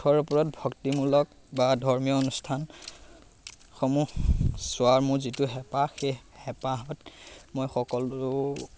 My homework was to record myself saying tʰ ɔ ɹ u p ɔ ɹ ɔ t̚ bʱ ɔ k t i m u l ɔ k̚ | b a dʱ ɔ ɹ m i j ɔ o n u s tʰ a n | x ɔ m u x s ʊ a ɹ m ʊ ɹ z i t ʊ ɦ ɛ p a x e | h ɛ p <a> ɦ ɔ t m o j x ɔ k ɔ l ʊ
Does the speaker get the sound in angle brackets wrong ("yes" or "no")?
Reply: no